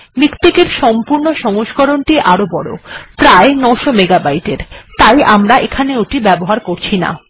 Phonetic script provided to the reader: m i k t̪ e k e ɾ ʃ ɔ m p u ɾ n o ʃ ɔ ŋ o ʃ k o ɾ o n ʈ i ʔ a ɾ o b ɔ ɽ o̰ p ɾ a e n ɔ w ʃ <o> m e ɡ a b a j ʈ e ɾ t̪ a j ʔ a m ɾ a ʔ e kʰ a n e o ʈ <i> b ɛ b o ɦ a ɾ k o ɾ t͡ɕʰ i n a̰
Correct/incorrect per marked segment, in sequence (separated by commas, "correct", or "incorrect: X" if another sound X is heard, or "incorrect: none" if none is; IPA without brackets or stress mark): correct, correct